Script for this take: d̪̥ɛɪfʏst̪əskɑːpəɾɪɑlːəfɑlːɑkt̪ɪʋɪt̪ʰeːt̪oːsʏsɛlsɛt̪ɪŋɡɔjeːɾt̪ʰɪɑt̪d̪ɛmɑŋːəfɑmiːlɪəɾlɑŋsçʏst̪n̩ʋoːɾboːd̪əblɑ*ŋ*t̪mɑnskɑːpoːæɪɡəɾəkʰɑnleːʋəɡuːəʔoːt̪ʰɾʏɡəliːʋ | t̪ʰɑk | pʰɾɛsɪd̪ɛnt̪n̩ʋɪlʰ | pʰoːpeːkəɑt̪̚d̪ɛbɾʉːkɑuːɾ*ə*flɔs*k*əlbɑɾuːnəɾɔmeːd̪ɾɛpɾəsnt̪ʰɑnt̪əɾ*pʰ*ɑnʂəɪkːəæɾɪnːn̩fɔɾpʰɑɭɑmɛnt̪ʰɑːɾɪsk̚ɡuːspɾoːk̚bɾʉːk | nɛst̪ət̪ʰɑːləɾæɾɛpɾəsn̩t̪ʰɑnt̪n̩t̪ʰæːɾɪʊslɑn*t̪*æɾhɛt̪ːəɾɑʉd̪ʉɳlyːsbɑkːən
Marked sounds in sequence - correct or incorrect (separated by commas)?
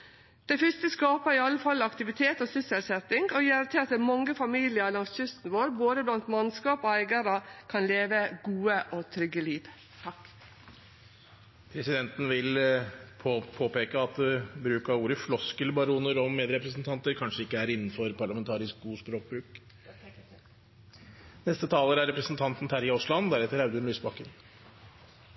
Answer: incorrect, correct, correct, incorrect, incorrect